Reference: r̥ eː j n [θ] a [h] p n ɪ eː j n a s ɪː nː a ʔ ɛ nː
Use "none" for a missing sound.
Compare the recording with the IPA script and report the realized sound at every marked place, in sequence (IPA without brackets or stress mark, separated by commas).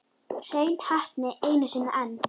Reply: h, h